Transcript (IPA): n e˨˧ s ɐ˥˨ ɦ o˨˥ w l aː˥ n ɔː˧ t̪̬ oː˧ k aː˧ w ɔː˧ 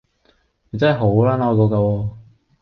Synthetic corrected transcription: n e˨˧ t͡s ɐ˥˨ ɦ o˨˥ w l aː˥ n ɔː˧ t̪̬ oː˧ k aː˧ w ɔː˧

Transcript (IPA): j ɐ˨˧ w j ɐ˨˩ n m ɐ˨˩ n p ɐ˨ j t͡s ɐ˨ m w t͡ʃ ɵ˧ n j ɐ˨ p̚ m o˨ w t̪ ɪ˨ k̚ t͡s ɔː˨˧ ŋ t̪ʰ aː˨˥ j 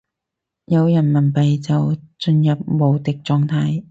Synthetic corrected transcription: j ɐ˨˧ w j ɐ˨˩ n m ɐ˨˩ n p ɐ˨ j t͡s ɐ˨ w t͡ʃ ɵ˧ n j ɐ˨ p̚ m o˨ w t̪ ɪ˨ k̚ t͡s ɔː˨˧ ŋ t̪ʰ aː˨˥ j

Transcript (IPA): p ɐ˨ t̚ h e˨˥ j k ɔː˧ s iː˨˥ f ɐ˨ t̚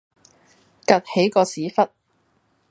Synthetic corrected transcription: k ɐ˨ t̚ h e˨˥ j k ɔː˧ s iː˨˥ f ɐ˥ t̚

